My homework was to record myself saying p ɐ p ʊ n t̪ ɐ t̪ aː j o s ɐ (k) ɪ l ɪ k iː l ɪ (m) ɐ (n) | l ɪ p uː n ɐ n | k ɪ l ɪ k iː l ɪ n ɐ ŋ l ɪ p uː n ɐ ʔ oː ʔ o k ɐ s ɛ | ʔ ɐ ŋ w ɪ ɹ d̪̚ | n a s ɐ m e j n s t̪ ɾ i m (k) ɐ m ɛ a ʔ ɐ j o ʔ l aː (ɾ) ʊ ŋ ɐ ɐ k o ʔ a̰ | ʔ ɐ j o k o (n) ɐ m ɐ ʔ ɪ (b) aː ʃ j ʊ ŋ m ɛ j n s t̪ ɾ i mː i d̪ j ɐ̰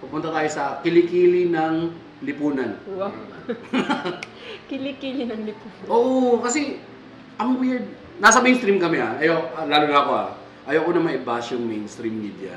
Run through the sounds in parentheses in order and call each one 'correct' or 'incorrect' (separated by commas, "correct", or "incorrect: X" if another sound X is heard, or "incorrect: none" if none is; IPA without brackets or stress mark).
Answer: correct, incorrect: n, incorrect: ŋ, correct, incorrect: l, correct, correct